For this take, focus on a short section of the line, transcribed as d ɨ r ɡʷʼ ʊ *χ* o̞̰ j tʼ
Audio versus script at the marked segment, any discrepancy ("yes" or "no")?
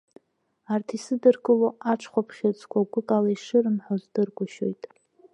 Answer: yes